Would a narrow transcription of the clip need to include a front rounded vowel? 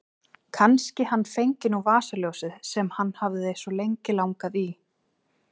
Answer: no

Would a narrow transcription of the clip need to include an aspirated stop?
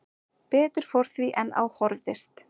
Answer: no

